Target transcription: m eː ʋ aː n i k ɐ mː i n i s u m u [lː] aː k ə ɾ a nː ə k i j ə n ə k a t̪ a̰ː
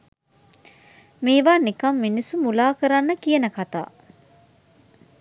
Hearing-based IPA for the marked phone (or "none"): l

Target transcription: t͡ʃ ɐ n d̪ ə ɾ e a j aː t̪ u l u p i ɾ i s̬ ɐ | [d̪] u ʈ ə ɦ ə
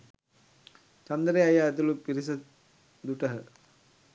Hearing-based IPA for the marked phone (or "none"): d̪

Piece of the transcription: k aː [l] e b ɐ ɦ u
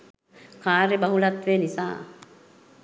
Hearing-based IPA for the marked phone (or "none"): ɾ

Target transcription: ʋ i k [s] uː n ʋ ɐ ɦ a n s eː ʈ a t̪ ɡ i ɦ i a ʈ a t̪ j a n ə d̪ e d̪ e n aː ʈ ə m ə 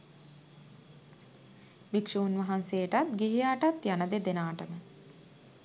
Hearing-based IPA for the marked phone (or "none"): ʂ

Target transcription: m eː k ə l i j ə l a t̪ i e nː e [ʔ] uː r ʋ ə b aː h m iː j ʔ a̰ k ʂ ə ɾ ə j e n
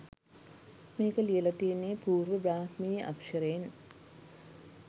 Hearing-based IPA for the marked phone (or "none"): p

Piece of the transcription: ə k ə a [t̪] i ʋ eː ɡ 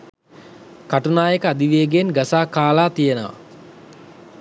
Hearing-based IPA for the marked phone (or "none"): d̪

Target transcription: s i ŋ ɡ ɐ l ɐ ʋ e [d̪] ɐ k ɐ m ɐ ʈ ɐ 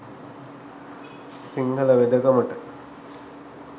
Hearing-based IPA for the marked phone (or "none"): d̪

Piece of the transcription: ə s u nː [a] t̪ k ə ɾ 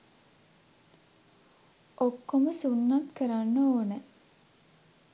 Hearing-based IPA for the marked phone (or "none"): a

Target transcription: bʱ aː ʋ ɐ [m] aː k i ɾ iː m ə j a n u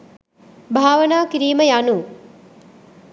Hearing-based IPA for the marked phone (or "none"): n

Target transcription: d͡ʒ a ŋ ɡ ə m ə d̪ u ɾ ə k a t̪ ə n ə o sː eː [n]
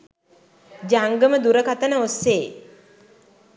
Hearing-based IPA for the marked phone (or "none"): none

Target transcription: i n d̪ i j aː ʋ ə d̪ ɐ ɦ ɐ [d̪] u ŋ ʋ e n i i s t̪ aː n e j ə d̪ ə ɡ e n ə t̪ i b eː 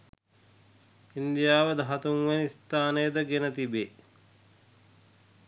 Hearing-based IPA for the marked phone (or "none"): t̪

